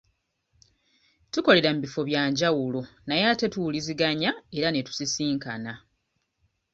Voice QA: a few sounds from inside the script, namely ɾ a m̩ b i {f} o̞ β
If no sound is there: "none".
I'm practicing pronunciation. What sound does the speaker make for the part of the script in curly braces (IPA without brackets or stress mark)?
f